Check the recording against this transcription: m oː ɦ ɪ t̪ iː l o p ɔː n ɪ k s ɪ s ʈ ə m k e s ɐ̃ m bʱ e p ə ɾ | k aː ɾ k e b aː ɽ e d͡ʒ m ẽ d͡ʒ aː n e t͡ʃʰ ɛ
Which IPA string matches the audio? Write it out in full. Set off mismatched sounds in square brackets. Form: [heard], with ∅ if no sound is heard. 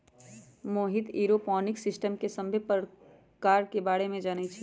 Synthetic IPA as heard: m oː ɦ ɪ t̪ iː [ɾ] o p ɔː n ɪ k s ɪ s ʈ ə m k e s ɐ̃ m bʱ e p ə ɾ | k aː ɾ k e b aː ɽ e [∅] m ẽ d͡ʒ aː n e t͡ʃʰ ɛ